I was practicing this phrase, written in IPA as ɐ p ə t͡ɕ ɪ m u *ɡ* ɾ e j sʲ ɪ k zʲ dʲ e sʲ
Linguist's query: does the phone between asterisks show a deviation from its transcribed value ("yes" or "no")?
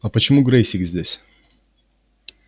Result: no